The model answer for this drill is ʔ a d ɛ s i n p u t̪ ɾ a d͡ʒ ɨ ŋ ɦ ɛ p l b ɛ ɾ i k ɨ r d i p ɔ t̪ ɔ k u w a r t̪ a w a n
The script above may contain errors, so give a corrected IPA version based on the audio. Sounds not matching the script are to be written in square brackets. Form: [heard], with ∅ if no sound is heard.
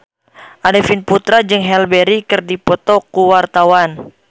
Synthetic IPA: ʔ a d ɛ [f] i n p u t̪ ɾ a d͡ʒ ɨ ŋ ɦ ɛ [∅] l b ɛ ɾ i k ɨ r d i p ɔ t̪ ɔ k u w a r t̪ a w a n